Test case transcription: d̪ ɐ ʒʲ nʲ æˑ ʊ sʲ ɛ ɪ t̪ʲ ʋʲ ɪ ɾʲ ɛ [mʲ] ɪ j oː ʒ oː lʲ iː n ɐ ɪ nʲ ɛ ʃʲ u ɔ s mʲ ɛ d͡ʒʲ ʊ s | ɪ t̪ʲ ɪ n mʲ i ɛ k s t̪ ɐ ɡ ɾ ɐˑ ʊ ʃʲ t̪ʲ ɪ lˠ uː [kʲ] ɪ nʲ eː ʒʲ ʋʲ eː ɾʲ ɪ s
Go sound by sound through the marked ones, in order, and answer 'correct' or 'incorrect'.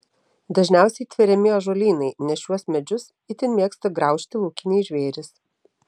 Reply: correct, correct

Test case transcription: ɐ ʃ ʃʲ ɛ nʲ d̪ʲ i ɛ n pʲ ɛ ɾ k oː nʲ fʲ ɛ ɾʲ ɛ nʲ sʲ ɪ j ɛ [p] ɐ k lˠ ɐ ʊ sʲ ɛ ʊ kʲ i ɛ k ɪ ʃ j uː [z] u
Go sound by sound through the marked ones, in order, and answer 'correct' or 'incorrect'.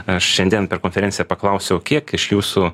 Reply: correct, incorrect: s

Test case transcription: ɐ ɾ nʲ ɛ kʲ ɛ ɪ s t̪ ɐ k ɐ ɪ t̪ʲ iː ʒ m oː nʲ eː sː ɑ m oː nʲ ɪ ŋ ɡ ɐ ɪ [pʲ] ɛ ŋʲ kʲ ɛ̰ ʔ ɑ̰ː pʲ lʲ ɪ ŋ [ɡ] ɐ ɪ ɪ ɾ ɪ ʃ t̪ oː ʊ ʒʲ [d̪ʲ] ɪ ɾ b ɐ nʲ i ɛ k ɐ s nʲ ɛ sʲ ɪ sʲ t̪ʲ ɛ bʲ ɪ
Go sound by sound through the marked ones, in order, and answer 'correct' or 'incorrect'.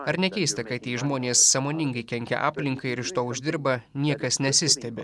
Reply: incorrect: kʲ, incorrect: k, correct

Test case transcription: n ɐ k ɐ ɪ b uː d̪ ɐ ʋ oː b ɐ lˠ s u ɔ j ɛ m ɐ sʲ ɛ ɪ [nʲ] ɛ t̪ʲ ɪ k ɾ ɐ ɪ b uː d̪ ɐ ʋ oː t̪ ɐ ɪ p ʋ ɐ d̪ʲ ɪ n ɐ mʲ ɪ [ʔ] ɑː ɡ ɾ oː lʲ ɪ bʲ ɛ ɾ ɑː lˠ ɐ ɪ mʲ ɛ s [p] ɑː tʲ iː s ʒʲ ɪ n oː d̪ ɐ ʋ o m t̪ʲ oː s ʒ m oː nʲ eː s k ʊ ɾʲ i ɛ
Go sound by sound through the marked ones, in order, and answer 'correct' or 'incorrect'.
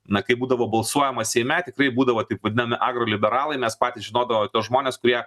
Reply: incorrect: mʲ, correct, correct

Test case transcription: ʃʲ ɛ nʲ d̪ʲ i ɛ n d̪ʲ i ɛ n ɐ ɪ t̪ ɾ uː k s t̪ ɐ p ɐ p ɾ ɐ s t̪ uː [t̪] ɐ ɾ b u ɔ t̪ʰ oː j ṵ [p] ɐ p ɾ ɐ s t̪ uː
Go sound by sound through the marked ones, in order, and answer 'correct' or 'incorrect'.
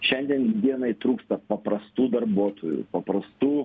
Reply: incorrect: d̪, correct

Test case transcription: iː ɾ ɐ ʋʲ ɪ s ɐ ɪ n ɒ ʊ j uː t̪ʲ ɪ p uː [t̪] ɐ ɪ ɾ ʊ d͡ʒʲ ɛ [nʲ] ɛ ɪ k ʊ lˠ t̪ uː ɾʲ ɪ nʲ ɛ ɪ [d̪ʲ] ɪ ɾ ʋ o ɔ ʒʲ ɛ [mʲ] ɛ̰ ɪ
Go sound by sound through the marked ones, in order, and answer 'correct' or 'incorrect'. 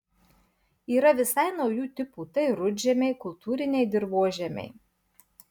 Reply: correct, incorrect: mʲ, correct, correct

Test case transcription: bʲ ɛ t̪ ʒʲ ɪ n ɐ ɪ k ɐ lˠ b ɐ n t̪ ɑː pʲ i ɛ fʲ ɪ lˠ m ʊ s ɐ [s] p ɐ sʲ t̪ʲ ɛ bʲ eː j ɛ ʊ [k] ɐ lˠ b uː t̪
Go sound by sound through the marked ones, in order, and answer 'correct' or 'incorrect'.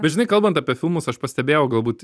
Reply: incorrect: ʃ, incorrect: ɡ

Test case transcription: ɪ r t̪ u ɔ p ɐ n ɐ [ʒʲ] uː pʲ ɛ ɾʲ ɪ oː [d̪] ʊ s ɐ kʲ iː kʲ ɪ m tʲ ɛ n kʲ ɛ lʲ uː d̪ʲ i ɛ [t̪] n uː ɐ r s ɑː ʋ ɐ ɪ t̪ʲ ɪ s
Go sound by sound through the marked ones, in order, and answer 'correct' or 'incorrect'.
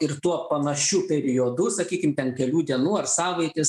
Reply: incorrect: ʃʲ, correct, incorrect: none

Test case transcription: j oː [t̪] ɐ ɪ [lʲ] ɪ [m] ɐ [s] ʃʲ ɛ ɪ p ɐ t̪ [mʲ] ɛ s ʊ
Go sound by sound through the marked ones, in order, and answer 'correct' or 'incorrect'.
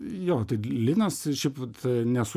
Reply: correct, correct, incorrect: n, correct, incorrect: nʲ

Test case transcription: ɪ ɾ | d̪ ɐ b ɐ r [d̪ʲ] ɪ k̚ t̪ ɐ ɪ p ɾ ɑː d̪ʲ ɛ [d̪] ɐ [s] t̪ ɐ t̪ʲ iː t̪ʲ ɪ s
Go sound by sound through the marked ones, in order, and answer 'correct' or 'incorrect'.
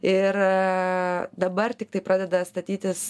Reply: incorrect: t̪ʲ, correct, correct

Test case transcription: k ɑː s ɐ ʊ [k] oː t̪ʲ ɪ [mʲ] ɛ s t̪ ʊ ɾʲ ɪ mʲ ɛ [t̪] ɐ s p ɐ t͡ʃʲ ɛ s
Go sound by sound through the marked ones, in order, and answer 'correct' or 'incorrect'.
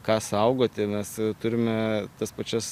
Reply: incorrect: ɡ, correct, correct

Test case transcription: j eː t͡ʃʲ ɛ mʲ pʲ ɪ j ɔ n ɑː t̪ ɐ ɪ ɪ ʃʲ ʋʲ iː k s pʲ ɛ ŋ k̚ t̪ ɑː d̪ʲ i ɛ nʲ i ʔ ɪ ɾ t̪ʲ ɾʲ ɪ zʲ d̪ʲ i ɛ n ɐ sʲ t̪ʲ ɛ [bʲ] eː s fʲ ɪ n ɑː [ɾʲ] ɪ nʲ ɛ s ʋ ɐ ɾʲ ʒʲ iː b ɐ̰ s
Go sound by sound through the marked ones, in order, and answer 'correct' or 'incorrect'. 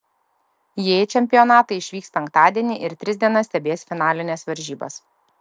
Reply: correct, incorrect: lʲ

